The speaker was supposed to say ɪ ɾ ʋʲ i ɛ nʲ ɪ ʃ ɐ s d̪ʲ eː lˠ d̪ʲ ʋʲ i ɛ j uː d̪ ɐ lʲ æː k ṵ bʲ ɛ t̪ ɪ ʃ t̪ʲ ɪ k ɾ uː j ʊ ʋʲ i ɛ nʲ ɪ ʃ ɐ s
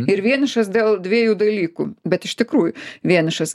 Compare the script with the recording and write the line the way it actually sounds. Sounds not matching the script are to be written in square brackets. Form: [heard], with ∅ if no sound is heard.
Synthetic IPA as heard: ɪ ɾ ʋʲ i ɛ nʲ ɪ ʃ ɐ s d̪ʲ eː lˠ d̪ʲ ʋʲ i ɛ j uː d̪ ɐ lʲ [iː] k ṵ bʲ ɛ t̪ ɪ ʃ t̪ʲ ɪ k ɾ uː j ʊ ʋʲ i ɛ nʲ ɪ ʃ ɐ s